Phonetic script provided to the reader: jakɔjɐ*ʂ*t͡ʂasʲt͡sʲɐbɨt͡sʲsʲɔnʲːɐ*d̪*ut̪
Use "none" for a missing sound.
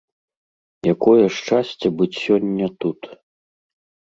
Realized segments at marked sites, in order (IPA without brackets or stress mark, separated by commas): ʂ, t̪